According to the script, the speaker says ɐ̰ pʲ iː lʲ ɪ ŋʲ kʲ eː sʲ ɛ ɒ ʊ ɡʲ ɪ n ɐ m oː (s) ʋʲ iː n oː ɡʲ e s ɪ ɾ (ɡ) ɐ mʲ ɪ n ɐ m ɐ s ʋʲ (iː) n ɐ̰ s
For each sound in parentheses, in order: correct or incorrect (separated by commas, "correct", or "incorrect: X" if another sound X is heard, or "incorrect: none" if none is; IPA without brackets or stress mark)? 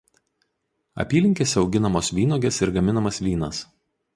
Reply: correct, correct, correct